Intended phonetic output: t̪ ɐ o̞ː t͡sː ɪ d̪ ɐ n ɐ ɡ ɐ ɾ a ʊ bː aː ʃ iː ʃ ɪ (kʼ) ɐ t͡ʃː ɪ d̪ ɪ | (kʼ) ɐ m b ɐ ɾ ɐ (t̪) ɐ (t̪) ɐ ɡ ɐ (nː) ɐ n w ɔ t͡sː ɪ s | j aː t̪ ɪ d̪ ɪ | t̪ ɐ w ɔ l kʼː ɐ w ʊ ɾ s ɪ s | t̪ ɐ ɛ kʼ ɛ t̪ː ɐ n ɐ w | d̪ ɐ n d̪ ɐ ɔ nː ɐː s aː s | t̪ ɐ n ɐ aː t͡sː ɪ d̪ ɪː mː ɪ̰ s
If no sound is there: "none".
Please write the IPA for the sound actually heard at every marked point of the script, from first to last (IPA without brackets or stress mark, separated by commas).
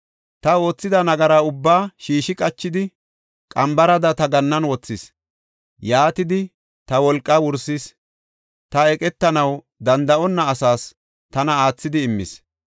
kʼ, kʼ, d̪, t̪, nː